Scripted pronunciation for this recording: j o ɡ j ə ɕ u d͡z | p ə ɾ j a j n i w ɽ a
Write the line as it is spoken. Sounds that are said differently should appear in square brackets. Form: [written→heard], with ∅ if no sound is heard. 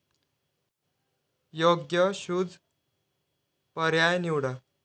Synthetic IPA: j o ɡ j ə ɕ u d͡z | p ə ɾ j a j n i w ɽ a